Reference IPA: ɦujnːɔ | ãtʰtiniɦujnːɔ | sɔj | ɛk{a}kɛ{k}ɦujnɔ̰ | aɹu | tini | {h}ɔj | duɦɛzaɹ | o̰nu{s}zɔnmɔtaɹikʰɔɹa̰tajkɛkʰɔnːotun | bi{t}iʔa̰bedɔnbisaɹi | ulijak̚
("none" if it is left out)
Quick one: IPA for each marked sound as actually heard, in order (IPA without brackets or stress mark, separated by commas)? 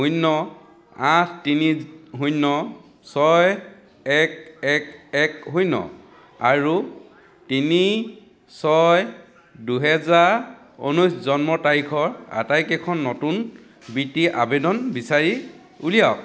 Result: ɛ, k, s, s, t